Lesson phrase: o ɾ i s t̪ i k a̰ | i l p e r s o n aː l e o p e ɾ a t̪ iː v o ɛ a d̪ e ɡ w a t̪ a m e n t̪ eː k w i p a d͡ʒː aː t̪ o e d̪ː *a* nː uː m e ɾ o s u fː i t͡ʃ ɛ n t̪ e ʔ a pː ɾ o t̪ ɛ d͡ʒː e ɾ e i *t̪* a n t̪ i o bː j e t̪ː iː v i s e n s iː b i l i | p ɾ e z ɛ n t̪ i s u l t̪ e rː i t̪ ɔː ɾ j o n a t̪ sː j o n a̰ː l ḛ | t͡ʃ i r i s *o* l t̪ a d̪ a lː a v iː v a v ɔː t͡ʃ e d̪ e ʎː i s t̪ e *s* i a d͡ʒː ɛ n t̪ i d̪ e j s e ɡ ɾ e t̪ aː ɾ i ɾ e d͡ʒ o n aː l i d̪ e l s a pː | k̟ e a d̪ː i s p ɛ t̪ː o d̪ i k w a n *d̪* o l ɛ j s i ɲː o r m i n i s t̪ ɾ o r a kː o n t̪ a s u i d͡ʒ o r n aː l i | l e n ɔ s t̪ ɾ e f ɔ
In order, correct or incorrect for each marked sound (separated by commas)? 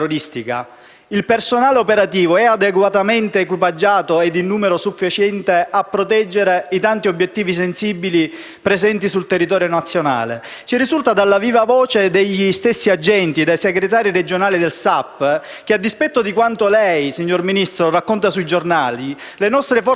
incorrect, correct, incorrect, incorrect, incorrect